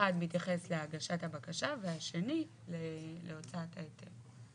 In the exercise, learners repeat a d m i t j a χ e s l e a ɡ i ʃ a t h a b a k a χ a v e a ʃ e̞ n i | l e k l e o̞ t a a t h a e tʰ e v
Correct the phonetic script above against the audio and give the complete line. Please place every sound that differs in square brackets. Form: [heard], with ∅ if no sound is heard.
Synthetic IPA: a d m i t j a χ e s l e a ɡ [a] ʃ a t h a b a k a [ʃ] a v e a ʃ e̞ n i | l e [∅] l e o̞ [t͡s] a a t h a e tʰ e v